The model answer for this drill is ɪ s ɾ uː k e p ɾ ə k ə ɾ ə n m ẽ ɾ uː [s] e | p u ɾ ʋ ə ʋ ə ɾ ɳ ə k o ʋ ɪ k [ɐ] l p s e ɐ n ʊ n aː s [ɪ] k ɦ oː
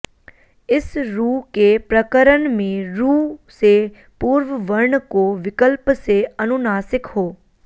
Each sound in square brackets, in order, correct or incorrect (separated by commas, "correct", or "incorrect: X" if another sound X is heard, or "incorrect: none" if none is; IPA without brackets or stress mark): correct, incorrect: ə, correct